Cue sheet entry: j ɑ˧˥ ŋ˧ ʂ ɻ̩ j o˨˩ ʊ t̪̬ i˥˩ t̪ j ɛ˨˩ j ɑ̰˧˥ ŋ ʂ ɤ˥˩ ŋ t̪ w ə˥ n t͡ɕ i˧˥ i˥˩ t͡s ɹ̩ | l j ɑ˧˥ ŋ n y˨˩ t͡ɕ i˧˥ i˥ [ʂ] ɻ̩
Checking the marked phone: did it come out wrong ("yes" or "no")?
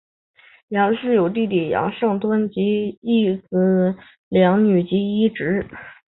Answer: yes